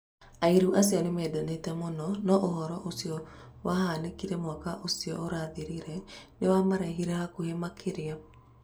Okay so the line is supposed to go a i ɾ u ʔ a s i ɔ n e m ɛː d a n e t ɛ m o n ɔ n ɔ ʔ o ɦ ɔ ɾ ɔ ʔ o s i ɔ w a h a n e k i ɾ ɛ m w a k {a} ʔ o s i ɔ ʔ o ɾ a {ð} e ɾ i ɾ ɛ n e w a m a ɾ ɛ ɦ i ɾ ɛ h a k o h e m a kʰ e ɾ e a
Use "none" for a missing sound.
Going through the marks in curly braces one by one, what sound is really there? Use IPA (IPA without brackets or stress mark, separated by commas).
a, ð